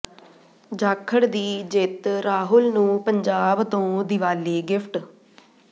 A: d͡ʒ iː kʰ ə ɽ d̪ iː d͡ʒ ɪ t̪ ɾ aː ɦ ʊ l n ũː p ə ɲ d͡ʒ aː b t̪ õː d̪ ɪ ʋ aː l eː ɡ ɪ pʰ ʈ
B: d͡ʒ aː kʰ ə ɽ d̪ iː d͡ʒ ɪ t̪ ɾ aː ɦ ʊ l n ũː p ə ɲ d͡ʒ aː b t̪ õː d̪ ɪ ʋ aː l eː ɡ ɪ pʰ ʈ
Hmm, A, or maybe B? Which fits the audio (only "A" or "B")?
B